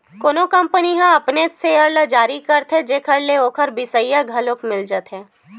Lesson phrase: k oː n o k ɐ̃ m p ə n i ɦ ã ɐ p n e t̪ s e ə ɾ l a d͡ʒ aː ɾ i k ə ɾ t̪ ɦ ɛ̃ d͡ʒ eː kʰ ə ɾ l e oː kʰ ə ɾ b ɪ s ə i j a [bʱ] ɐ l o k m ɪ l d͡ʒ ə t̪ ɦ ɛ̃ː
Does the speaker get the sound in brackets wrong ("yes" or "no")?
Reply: yes